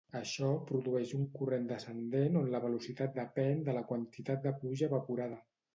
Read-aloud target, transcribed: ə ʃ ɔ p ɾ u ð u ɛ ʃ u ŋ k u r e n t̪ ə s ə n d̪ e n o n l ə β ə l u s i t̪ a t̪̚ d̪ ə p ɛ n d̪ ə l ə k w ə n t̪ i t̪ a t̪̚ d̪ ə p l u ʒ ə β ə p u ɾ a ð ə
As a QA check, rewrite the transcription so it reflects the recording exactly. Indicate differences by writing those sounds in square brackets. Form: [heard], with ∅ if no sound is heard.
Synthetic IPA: ə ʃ ɔ p ɾ u ð u ɛ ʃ u ŋ k u r e n [d̪] ə s ə n d̪ e n o n l ə β ə l u s i t̪ a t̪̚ d̪ ə p ɛ n d̪ ə l ə k w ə n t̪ i t̪ a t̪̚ d̪ ə p l u ʒ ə β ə p u ɾ a ð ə